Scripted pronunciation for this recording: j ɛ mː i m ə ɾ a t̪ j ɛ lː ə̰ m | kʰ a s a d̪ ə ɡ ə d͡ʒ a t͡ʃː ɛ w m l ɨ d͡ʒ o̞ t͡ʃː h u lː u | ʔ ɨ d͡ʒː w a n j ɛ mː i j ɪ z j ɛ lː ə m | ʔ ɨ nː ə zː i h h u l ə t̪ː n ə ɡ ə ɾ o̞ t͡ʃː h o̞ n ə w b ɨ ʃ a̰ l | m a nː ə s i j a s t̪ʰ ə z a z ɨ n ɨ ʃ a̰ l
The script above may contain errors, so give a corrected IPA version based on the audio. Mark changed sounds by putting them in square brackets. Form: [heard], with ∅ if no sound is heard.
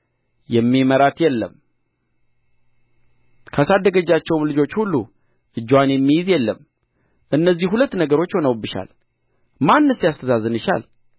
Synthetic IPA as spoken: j ɛ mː i m ə ɾ a t̪ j ɛ lː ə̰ m | kʰ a s a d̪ ə ɡ ə d͡ʒ a t͡ʃː ɛ w m l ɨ d͡ʒ o̞ t͡ʃː h u lː u | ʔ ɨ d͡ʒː w a n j ɛ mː i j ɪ z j ɛ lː ə m | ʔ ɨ nː ə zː i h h u l ə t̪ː n ə ɡ ə ɾ o̞ t͡ʃː h o̞ n ə w b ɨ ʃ a̰ l | m a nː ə s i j a s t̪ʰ ə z a z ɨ n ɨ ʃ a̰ l